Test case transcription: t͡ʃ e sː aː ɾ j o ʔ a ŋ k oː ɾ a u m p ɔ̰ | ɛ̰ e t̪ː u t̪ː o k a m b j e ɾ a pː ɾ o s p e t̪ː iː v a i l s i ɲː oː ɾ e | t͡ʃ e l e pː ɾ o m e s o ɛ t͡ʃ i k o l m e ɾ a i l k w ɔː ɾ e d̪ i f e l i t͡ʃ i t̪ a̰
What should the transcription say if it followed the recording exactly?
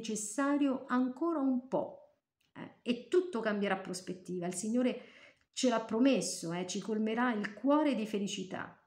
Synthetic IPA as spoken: t͡ʃ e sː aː ɾ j o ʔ a ŋ k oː ɾ a u m p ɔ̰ | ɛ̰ e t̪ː u t̪ː o k a m b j e ɾ a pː ɾ o s p e t̪ː iː v a i l s i ɲː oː ɾ e | t͡ʃ e l a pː ɾ o m e sː o ɛ t͡ʃ i k o l m e ɾ a i l k w ɔː ɾ e d̪ i f e l i t͡ʃ i t̪ a̰